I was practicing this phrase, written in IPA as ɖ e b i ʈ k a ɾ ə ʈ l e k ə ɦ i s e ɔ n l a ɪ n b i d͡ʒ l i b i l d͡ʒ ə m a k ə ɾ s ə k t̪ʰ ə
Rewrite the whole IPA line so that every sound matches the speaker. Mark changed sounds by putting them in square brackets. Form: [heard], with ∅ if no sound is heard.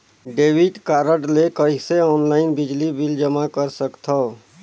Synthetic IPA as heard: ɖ e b i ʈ k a ɾ ə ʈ l e k ə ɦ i s e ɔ n l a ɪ n b i d͡ʒ l i b i l d͡ʒ ə m a k ə ɾ s ə k t̪ʰ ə